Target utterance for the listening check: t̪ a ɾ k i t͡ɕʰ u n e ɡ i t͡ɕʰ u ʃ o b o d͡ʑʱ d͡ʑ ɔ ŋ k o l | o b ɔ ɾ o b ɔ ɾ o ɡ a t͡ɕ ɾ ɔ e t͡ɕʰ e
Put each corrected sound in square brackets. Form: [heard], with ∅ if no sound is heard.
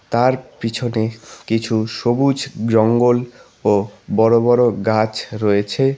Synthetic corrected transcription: t̪ a ɾ [p] i t͡ɕʰ [o] n e [k] i t͡ɕʰ u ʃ o b [u] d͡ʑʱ d͡ʑ ɔ ŋ [ɡ] o l | o b ɔ ɾ o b ɔ ɾ o ɡ a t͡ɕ ɾ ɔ e t͡ɕʰ e